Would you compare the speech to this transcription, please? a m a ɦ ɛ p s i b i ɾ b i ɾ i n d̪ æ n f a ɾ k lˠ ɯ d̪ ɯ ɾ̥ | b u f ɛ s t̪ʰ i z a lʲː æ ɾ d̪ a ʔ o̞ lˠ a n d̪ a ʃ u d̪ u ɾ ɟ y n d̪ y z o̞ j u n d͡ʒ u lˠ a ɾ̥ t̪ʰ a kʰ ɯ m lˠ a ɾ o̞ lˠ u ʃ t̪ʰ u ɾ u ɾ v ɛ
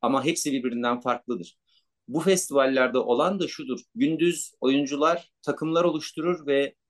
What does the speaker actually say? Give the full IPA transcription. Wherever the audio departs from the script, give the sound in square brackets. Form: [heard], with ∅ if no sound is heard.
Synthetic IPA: a m a ɦ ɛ p s i b i ɾ b i ɾ i n d̪ æ n f a ɾ k lˠ ɯ d̪ ɯ ɾ̥ | b u f ɛ s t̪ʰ i [v] a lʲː æ ɾ d̪ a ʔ o̞ lˠ a n d̪ a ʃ u d̪ u ɾ ɟ y n d̪ y z o̞ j u n d͡ʒ u lˠ a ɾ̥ t̪ʰ a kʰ ɯ m lˠ a ɾ o̞ lˠ u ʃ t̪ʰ u ɾ u ɾ v ɛ